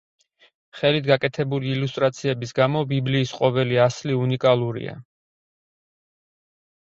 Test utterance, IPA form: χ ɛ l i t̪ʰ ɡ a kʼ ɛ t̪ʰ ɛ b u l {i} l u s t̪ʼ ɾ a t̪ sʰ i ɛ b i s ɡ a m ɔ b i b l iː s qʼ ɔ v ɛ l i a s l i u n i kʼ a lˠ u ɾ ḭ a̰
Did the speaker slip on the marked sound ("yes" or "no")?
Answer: yes